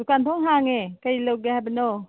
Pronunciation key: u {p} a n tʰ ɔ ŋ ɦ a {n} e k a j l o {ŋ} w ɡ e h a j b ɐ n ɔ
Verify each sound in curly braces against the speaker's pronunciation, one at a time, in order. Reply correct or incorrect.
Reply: incorrect, incorrect, incorrect

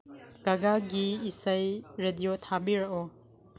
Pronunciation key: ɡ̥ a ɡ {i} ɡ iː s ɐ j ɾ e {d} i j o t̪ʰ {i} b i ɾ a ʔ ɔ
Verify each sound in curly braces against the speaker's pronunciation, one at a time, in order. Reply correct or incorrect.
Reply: incorrect, correct, incorrect

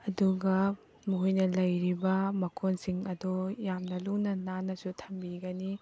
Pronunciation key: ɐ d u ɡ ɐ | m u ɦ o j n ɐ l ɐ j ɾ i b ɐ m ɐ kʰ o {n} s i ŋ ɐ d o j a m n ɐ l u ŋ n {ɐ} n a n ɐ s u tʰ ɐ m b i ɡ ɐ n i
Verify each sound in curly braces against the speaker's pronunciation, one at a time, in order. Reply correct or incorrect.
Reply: correct, correct

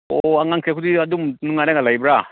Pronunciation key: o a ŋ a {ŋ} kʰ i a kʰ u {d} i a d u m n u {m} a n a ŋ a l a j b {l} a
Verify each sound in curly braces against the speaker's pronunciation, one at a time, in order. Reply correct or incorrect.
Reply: correct, correct, incorrect, incorrect

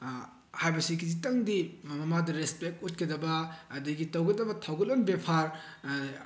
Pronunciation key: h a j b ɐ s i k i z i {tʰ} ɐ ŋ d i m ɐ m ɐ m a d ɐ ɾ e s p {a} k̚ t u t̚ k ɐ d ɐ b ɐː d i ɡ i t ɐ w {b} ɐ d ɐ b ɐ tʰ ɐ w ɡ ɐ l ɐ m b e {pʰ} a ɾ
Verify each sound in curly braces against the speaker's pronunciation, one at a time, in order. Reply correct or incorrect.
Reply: incorrect, incorrect, incorrect, correct

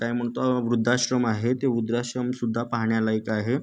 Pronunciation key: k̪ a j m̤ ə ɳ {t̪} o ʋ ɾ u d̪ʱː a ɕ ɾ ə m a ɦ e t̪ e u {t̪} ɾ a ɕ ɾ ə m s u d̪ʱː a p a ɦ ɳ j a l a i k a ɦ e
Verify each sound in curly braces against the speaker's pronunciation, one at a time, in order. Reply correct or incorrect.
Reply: correct, incorrect

